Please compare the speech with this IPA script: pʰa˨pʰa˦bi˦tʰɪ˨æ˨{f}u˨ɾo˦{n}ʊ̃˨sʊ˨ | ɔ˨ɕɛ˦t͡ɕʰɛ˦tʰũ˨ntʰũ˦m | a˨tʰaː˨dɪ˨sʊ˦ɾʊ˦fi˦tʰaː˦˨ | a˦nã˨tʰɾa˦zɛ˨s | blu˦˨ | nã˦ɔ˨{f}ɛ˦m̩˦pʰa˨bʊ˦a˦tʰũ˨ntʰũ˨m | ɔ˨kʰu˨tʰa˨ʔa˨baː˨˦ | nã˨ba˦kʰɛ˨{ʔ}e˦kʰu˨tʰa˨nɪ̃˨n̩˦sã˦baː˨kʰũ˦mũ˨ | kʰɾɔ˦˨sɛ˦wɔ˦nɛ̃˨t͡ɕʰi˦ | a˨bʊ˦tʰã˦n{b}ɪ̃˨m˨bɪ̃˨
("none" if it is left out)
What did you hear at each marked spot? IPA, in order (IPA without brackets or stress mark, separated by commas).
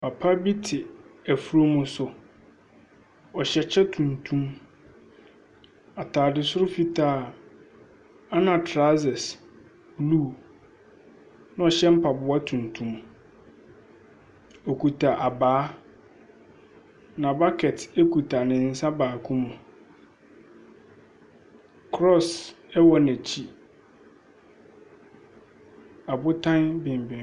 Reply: f, m, ɕ, t, b